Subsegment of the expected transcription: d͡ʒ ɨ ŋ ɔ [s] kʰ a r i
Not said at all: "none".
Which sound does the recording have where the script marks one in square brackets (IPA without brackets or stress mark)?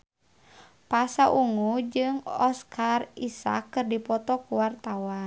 s